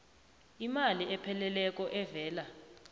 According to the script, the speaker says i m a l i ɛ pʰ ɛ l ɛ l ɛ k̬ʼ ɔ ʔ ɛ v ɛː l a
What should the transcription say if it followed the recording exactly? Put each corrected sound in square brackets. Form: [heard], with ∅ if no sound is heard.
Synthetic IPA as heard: i m a l i ɛ pʰ ɛ l ɛ l ɛ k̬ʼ ɔ ʔ ɛ v ɛː l a